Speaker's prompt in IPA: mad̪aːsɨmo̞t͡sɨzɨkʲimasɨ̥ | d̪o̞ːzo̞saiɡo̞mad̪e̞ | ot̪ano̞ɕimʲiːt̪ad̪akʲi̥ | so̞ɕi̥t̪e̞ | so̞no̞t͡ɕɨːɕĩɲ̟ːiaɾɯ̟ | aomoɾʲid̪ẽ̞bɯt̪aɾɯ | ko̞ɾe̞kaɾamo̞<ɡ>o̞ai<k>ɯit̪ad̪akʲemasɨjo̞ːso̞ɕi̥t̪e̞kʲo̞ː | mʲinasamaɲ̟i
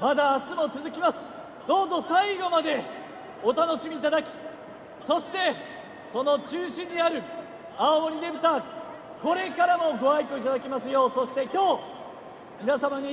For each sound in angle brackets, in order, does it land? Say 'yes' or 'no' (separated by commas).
yes, yes